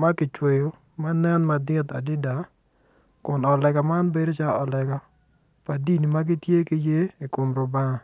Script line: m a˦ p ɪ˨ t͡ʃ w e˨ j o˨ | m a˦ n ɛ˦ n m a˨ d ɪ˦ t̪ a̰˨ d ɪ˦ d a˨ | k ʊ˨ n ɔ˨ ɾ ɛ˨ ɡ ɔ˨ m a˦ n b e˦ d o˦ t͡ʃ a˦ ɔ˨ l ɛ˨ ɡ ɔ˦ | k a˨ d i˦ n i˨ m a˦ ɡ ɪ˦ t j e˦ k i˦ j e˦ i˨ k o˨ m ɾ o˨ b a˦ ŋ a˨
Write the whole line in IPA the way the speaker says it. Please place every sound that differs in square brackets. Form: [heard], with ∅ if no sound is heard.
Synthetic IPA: m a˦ [k] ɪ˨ t͡ʃ w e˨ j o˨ | m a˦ n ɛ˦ n m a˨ d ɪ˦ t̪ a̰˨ d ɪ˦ d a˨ | k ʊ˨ n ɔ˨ [l] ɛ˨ ɡ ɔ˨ m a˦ n b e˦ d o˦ t͡ʃ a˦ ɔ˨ l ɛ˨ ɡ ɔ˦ | [p] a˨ d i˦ n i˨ m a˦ ɡ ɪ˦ t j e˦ k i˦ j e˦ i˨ k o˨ m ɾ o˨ b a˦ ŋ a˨